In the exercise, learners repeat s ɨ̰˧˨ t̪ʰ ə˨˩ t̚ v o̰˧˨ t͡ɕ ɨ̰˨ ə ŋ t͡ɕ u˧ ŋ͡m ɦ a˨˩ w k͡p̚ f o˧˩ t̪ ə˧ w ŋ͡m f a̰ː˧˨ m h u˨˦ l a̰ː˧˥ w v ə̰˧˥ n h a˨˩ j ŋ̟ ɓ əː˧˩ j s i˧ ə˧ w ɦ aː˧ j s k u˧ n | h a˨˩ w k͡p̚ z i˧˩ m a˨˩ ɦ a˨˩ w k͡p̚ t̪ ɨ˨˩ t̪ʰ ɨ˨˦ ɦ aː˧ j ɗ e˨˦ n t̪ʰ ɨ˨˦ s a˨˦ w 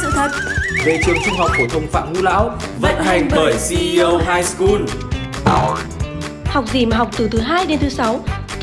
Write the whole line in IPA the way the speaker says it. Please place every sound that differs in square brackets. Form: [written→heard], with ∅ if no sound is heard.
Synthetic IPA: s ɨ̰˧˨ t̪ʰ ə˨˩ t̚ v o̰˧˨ t͡ɕ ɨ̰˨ ə ŋ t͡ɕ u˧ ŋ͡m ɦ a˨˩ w k͡p̚ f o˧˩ [t̪→t̪ʰ] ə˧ w ŋ͡m f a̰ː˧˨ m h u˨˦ l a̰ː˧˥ w v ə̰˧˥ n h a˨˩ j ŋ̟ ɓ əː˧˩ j s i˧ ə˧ w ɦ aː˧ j s k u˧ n | h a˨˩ w k͡p̚ z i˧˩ m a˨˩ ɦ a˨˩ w k͡p̚ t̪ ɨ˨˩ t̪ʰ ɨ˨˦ ɦ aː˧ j ɗ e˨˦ n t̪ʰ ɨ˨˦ s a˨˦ w